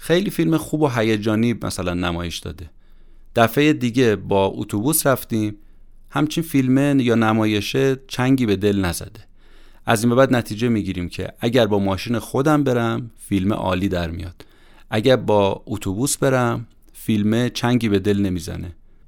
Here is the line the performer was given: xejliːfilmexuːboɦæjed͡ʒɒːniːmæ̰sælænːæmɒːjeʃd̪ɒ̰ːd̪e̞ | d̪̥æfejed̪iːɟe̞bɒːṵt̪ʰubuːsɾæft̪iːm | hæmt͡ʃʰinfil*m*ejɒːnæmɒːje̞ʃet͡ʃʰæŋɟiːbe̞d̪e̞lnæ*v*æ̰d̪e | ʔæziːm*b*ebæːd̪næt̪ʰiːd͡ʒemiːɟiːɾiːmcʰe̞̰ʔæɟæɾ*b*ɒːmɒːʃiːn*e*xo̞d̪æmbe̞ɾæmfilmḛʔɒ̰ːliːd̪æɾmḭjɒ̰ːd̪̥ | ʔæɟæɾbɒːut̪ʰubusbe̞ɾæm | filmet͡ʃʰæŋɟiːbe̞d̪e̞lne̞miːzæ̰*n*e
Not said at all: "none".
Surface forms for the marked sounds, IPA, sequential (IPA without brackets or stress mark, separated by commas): m, z, b, b, e, n